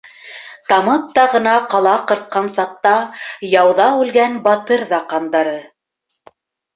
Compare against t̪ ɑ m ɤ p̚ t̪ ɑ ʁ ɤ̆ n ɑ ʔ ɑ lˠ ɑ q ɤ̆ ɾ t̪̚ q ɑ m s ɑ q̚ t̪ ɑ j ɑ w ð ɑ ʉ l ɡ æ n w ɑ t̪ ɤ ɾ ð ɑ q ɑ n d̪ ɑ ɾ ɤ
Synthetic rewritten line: t̪ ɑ m ɤ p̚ t̪ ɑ ʁ ɤ̆ n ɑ q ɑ lˠ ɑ q ɤ̆ ɾ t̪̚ q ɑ n s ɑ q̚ t̪ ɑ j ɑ w ð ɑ ʉ l ɡ æ n b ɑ t̪ ɤ ɾ ð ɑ q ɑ n d̪ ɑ ɾ ɤ